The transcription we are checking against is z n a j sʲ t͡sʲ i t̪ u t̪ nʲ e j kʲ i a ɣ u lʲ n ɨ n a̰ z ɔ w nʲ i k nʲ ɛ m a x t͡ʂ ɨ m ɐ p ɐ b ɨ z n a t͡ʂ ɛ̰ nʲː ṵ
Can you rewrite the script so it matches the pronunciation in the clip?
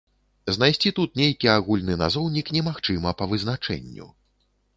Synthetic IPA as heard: z n a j sʲ t͡sʲ i t̪ u t̪ nʲ e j kʲ i a ɣ u lʲ n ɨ n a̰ z ɔ w nʲ i k nʲ ɛ m a x t͡ʂ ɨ m ɐ p ɐ v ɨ z n a t͡ʂ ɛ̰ nʲː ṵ

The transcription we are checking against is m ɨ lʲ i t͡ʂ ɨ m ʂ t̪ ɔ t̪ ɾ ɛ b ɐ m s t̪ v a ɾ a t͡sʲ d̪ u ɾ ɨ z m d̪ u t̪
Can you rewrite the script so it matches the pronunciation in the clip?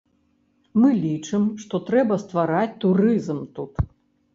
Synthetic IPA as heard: m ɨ lʲ i t͡ʂ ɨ m ʂ t̪ ɔ t̪ ɾ ɛ b ɐ s t̪ v a ɾ a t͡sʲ t̪ u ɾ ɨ z m t̪ u t̪

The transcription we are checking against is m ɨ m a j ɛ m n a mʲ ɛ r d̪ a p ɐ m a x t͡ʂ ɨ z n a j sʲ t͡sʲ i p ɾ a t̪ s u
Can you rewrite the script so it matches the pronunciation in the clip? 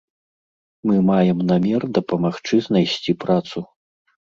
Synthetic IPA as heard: m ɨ m a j ɛ m n a mʲ ɛ r d̪ ɐ p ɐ m a x t͡ʂ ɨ z n a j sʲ t͡sʲ i p ɾ a t̪ s u

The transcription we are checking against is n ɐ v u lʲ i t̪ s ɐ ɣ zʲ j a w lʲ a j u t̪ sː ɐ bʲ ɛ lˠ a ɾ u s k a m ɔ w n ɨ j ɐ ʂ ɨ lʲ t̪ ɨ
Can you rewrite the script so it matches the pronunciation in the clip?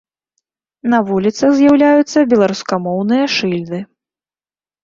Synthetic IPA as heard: n ɐ v u lʲ i t̪ s ɐ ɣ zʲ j a w lʲ a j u t̪ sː ɐ bʲ ɛ lˠ a ɾ u s k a m ɔ w n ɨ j ɐ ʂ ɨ lʲ d̪ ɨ

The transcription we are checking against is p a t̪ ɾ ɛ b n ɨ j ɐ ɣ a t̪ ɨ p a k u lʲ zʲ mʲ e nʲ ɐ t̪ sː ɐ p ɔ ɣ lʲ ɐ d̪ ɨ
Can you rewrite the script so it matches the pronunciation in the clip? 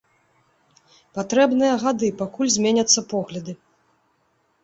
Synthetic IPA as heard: p a t̪ ɾ ɛ b n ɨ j ɐ ɣ a d̪ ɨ p a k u lʲ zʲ mʲ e nʲ ɐ t̪ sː ɐ p ɔ ɣ lʲ ɐ d̪ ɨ

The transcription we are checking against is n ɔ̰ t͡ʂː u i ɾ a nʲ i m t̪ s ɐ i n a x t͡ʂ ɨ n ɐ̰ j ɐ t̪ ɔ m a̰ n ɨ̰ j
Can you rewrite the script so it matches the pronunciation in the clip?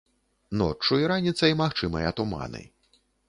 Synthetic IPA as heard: n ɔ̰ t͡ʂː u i ɾ a nʲ i t̪ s ɐ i m a x t͡ʂ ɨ m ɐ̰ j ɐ t̪ u m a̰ n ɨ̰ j

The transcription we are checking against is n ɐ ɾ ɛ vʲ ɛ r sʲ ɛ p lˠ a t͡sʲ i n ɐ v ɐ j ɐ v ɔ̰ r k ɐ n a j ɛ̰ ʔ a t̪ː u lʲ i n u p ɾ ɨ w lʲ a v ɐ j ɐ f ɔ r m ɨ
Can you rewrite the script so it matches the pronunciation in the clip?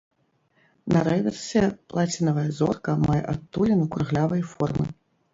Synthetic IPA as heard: n ɐ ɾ ɛ vʲ ɛ r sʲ ɛ p lˠ a t͡sʲ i n ɐ v ɐ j ɐ z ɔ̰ r k ɐ m a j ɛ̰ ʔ a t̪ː u lʲ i n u k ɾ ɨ ɣ lʲ a v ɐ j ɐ f ɔ r m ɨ

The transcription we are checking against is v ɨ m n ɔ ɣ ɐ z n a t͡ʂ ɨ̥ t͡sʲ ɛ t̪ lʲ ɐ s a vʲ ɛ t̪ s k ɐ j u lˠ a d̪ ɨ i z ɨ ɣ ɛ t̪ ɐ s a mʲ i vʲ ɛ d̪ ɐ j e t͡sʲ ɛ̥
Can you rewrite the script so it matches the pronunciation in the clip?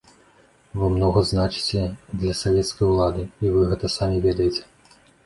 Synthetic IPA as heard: v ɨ m n ɔ ɣ ɐ z n a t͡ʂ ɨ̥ t͡sʲ ɛ d̪ lʲ ɐ s a vʲ ɛ t̪ s k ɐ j u lˠ a d̪ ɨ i v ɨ ɣ ɛ t̪ ɐ s a mʲ i vʲ ɛ d̪ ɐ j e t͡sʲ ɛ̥

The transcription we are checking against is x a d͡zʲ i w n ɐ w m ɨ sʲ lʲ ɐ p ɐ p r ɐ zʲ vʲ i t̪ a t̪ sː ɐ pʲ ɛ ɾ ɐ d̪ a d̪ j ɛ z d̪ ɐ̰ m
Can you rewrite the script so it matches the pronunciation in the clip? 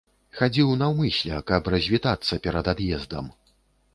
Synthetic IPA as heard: x a d͡zʲ i w n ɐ w m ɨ sʲ lʲ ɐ k ɐ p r ɐ zʲ vʲ i t̪ a t̪ sː ɐ pʲ ɛ ɾ ɐ d̪ a d̪ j ɛ z d̪ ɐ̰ m

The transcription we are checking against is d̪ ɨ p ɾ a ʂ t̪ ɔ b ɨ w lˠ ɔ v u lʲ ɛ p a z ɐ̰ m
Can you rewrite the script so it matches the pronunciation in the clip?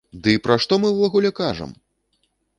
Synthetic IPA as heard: d̪ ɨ p ɾ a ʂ t̪ ɔ m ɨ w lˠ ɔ ɣ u lʲ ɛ k a ʐ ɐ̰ m

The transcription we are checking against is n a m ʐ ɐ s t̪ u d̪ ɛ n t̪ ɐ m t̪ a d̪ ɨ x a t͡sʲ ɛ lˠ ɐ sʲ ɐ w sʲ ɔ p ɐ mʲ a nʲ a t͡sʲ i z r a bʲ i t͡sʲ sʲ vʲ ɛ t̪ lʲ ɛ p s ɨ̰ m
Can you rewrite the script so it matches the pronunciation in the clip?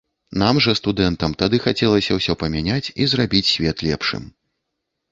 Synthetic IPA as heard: n a m ʐ ɐ s t̪ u d̪ ɛ n t̪ ɐ m t̪ a d̪ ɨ x a t͡sʲ ɛ lˠ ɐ sʲ ɐ w sʲ ɔ p ɐ mʲ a nʲ a t͡sʲ i z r a bʲ i t͡sʲ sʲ vʲ ɛ t̪ lʲ ɛ p ʂ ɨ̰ m

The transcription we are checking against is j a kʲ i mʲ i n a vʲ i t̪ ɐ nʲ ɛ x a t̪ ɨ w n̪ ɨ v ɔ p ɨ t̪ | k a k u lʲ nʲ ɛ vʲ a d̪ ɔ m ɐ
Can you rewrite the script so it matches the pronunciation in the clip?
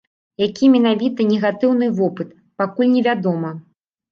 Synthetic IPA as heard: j a kʲ i mʲ ɛ n a vʲ i t̪ ɐ nʲ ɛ ɣ a t̪ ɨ w n̪ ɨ v ɔ p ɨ t̪ | p a k u lʲ nʲ ɛ vʲ a d̪ ɔ m ɐ

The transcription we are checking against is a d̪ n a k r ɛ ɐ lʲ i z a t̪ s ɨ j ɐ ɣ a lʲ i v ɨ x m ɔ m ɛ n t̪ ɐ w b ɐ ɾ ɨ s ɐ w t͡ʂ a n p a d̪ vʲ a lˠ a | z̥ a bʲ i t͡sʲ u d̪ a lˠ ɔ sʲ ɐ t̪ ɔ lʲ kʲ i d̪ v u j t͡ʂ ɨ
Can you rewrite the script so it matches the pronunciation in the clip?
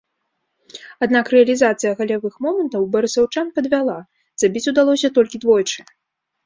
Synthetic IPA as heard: a d̪ n a k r ɛ ɐ lʲ i z a t̪ s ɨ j ɐ ɣ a lʲ a v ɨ x m ɔ m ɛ n t̪ ɐ w b ɐ ɾ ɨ s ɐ w t͡ʂ a n p ɐ d̪ vʲ a lˠ a | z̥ a bʲ i t͡sʲ u d̪ a lˠ ɔ sʲ ɐ t̪ ɔ lʲ kʲ i d̪ v ɔ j t͡ʂ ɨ

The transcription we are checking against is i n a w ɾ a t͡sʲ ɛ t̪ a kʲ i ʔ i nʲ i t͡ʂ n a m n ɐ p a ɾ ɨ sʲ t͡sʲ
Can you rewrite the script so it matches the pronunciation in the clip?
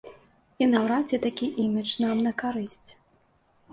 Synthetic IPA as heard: i n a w ɾ a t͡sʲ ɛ t̪ a kʲ i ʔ i mʲ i t͡ʂ n a m n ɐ k a ɾ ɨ sʲ t͡sʲ

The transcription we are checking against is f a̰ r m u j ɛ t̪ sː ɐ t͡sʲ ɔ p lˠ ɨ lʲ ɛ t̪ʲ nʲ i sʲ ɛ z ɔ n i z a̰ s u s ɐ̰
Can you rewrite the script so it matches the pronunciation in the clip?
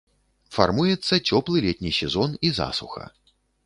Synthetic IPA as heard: f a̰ r m u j ɛ t̪ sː ɐ t͡sʲ ɔ p lˠ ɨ lʲ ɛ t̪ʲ nʲ i sʲ ɛ z ɔ n i z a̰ s u x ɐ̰

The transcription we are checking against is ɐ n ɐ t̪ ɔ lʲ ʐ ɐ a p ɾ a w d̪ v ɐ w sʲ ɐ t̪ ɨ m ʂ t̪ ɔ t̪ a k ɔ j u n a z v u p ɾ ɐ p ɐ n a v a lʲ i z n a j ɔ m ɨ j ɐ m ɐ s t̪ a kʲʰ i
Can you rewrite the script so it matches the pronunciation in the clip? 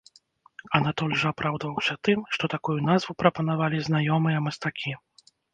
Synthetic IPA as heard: ɐ n a t̪ ɔ lʲ ʐ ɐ a p ɾ a w d̪ v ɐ w sʲ ɐ t̪ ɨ m ʂ t̪ ɔ t̪ a k u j u n a z v u p ɾ ɐ p ɐ n a v a lʲ i z n a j ɔ m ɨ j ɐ m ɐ s t̪ a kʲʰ i

